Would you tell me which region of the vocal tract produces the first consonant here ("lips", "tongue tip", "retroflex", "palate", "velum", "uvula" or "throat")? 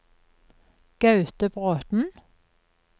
velum